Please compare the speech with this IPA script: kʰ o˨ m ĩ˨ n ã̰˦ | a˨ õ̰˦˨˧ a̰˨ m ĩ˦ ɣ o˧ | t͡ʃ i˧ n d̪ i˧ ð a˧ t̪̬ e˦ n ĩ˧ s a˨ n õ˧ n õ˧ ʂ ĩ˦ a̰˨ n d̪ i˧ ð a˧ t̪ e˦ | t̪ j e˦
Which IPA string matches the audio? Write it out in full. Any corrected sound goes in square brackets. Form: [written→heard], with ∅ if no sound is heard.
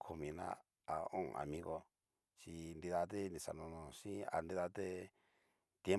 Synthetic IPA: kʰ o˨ m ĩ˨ n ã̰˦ | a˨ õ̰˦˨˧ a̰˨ m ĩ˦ ɣ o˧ | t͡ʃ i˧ n d̪ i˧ ð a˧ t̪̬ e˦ n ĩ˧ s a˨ n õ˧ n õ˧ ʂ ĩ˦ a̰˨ n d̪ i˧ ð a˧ t̪ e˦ | t̪ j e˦